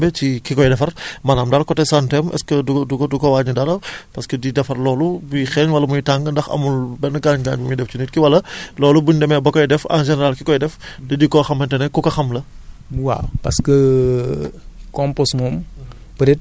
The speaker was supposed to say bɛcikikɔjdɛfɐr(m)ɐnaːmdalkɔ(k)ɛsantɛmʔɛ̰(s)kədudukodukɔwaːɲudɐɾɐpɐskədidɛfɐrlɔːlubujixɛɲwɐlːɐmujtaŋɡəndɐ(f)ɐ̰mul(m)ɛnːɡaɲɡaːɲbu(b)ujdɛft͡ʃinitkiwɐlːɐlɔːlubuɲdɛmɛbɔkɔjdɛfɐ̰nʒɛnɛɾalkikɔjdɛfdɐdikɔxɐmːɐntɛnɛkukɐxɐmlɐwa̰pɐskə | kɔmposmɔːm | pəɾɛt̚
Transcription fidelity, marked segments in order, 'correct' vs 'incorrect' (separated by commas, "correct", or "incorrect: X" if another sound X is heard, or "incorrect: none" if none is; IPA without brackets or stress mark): correct, incorrect: t, correct, incorrect: x, incorrect: b, incorrect: m